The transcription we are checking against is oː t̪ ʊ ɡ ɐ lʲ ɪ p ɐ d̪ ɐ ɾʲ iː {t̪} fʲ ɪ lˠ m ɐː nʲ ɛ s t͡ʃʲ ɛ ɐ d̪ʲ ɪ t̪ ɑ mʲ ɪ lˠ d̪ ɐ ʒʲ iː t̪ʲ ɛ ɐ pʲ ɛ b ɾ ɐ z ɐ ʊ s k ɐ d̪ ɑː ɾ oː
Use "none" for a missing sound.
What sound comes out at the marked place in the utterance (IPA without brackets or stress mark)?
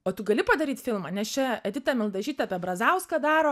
t̪